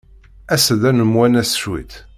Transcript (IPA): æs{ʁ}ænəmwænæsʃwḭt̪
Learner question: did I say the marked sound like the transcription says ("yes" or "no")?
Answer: no